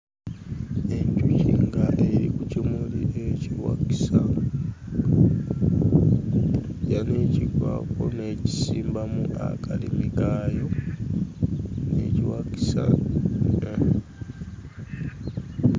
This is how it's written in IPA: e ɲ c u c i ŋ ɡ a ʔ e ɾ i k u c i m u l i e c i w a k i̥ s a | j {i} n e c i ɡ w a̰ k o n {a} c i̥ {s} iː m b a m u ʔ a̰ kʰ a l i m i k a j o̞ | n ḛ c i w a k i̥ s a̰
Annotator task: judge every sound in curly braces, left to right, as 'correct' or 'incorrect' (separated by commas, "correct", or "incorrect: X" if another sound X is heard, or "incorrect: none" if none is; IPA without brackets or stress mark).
incorrect: a, incorrect: e, correct